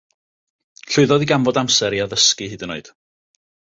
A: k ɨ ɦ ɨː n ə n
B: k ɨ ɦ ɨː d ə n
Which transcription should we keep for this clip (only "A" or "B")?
B